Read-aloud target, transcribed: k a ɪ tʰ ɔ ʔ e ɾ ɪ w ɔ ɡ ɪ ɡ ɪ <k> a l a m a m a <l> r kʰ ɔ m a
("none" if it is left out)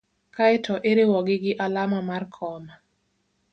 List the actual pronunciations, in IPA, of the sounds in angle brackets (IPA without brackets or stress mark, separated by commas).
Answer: ʔ, none